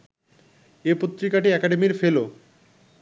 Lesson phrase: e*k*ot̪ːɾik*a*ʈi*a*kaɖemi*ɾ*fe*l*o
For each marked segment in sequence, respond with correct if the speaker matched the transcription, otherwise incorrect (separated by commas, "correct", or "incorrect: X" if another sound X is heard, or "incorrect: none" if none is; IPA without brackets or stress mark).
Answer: incorrect: p, correct, incorrect: ɛ, correct, correct